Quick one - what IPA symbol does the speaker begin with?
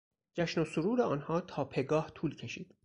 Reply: d͡ʒ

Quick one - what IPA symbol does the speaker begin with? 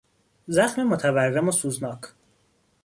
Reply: z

